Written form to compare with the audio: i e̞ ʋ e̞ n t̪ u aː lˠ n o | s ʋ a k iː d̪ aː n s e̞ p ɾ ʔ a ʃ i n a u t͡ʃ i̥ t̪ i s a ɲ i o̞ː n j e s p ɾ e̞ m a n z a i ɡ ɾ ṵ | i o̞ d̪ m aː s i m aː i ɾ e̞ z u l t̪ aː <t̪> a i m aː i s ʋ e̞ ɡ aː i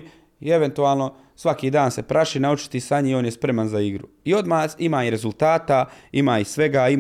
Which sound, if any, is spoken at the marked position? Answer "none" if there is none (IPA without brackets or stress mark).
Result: t̪